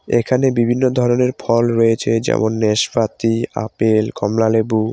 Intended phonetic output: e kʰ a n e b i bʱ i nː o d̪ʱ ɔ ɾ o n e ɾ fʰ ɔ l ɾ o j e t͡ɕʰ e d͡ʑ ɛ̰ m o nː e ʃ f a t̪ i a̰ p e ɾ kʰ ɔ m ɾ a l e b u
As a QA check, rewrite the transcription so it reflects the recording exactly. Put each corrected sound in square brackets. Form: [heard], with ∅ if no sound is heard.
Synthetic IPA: e kʰ a n e b i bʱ i nː o d̪ʱ ɔ ɾ o n e ɾ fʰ ɔ l ɾ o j e t͡ɕʰ e d͡ʑ ɛ̰ m o nː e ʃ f a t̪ i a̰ p e [l] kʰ ɔ m [l] a l e b u